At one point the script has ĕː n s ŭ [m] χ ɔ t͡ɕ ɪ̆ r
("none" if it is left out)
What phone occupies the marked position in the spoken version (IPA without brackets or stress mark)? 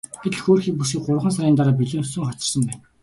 ŋ